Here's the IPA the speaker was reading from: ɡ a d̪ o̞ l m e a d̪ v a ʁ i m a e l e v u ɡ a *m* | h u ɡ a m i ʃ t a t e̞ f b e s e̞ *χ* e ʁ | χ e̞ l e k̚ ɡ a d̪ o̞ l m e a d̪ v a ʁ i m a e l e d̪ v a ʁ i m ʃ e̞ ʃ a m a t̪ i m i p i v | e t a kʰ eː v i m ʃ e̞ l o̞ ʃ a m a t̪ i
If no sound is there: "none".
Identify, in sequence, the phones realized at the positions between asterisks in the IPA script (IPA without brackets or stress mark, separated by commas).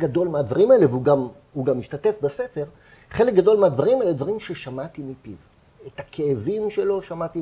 m, f